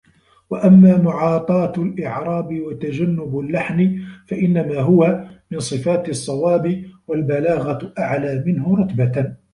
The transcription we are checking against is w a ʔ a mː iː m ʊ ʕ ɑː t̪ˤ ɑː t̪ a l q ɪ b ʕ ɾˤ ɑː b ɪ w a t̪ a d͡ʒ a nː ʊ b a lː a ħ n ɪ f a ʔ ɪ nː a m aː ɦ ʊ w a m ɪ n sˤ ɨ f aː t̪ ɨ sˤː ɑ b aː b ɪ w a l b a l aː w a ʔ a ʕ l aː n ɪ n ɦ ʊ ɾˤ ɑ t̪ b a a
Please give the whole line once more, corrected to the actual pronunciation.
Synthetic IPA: w a ʔ a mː aː m ʊ ʕ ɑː t̪ˤ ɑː t̪ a l ʔ ɪ ʕ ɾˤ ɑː b ɪ w a t̪ a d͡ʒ a nː ʊ b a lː a ħ n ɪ f a ʔ ɪ nː a m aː ɦ ʊ w a m ɪ n sˤ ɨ f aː t̪ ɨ sˤː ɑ w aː b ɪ w a l b a l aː ɣ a ʔ a ʕ l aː m ɪ n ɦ ʊ ɾˤ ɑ t̪ b a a